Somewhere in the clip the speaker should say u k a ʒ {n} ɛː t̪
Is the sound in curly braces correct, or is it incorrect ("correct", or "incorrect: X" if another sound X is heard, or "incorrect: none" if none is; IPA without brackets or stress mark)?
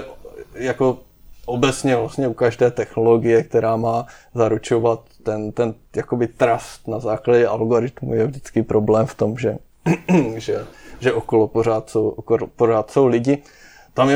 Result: incorrect: d